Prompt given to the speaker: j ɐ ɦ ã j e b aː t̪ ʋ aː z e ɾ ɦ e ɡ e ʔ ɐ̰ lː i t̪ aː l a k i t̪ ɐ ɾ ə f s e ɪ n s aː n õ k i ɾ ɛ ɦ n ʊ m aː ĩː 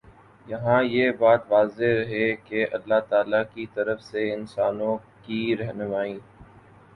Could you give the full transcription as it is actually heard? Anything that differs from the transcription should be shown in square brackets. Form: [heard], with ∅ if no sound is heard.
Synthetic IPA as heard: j ɐ ɦ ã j e b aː t̪ ʋ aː z e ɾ ɦ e [k] e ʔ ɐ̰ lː [a] t̪ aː l a k i t̪ ɐ ɾ ə f s e ɪ n s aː n õ k i ɾ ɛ ɦ n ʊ m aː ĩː

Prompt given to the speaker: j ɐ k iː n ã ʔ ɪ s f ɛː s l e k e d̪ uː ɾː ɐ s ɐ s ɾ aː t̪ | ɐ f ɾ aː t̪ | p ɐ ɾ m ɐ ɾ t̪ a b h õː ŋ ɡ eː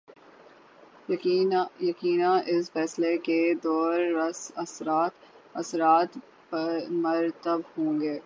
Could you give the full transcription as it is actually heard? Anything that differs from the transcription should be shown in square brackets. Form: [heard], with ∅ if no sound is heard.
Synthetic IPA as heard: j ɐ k iː n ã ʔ ɪ s f ɛː s l e k e d̪ [ɔː] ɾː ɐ s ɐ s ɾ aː t̪ | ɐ [s] ɾ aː t̪ | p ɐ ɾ m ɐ ɾ t̪ [ə] b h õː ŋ ɡ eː

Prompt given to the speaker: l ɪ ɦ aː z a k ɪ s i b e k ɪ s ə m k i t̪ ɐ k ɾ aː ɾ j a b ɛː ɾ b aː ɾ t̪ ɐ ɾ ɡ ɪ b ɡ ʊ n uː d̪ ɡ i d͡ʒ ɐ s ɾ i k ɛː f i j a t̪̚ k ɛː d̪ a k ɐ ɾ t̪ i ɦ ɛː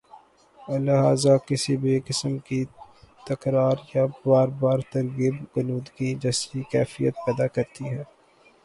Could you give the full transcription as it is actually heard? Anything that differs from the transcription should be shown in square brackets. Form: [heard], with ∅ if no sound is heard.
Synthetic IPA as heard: l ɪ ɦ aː z a k ɪ s i b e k ɪ s ə m k i t̪ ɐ k ɾ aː ɾ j a b [aː] ɾ b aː ɾ t̪ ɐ ɾ ɡ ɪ b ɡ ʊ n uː d̪ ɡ i d͡ʒ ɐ s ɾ i k ɛː f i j [ə] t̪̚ [p] ɛː d̪ a k ɐ ɾ t̪ i ɦ ɛː

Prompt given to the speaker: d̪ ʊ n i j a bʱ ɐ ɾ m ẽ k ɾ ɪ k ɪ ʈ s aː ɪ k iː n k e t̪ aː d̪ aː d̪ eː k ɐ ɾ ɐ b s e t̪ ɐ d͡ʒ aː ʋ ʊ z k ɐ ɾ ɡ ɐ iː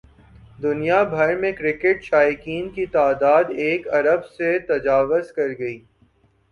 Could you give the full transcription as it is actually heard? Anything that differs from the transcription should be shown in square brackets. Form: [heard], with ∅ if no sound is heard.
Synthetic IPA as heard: d̪ ʊ n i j a bʱ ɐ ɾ m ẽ k ɾ ɪ k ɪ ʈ [ʃ] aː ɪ k iː n k [i] t̪ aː d̪ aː d̪ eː k ɐ ɾ [ə] b s e t̪ ɐ d͡ʒ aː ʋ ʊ z k ɐ ɾ ɡ ɐ iː

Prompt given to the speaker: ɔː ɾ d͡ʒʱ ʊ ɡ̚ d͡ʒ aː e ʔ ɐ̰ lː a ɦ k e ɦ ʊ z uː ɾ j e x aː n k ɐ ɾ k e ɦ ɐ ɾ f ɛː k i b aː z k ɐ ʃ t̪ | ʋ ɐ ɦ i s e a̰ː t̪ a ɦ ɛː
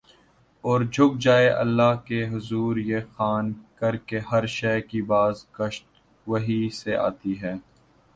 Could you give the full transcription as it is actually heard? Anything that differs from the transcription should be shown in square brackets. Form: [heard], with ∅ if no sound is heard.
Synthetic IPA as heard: ɔː ɾ d͡ʒʱ ʊ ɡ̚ d͡ʒ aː e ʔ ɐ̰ lː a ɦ k e ɦ ʊ z uː ɾ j e x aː n k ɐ ɾ k e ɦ ɐ ɾ [ʃ] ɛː k i b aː z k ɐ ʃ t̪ | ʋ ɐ ɦ i s e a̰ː t̪ [i] ɦ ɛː

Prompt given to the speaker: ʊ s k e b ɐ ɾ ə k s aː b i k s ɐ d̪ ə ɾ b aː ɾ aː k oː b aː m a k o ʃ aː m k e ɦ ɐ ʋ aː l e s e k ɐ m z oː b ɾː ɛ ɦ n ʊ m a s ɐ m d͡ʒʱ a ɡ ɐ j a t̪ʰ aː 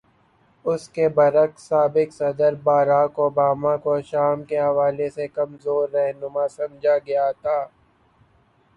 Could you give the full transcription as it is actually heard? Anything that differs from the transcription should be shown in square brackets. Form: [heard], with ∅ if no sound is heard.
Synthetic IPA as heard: ʊ s k e b ɐ ɾ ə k s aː b [ɪ] k s ɐ d̪ ə ɾ b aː ɾ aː k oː b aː m a k o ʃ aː m k e ɦ ɐ ʋ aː l e s e k ɐ m z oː [∅] ɾː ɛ ɦ n ʊ m a s ɐ m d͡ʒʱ a ɡ ɐ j a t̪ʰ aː

